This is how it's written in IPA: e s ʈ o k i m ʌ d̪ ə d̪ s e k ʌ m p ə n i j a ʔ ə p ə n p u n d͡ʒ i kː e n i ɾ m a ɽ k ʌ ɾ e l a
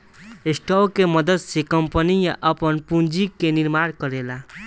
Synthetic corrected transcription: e s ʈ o k e m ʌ d̪ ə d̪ s e k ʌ m p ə n i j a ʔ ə p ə n p u n d͡ʒ i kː e n i ɾ m a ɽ k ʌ ɾ e l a